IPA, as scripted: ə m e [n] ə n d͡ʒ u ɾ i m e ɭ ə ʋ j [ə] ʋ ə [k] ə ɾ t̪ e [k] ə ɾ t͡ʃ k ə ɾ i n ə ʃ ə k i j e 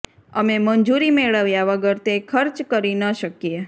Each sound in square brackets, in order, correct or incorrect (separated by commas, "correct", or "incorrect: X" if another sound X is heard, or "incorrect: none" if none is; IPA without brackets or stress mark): incorrect: m, incorrect: a, incorrect: ɡ, incorrect: kʰ